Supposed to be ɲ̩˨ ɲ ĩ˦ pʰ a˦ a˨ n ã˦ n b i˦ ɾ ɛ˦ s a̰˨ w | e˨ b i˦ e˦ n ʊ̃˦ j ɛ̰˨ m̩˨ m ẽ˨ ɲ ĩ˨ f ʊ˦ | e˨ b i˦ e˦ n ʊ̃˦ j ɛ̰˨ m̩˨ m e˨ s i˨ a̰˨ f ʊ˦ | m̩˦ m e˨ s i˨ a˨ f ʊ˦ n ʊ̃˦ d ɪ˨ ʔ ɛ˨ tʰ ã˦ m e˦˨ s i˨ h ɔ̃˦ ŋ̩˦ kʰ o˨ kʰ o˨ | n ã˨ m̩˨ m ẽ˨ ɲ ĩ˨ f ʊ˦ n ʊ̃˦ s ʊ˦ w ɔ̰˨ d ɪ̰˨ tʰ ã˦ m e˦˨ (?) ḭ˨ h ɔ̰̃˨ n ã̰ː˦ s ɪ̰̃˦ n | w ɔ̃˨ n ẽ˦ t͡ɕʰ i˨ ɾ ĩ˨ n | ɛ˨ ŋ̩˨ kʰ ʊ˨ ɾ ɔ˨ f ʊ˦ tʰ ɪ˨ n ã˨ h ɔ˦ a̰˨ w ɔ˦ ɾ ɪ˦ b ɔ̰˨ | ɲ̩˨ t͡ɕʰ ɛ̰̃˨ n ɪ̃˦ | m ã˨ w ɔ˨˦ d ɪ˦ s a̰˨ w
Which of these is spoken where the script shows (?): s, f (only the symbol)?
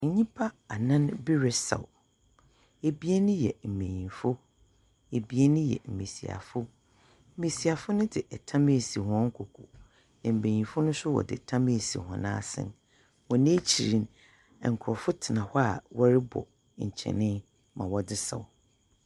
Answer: s